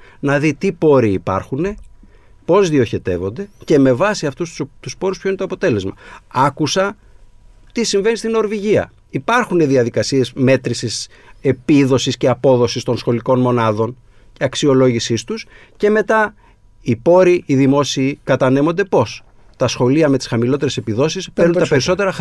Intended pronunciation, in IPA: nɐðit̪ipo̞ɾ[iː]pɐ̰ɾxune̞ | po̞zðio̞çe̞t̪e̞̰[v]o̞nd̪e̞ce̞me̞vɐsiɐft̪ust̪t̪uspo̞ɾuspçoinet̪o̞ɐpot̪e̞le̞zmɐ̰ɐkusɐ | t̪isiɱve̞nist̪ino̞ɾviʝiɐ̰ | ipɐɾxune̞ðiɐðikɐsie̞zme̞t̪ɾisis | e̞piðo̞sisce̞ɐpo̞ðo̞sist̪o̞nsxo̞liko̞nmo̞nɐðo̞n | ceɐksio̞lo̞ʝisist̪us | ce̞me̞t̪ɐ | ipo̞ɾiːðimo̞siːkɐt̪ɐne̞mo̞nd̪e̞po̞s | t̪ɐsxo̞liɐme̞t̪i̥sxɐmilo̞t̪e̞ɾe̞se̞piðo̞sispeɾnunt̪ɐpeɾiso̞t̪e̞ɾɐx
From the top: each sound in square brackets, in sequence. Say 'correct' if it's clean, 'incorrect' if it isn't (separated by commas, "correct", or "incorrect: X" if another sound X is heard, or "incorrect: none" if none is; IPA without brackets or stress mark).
correct, correct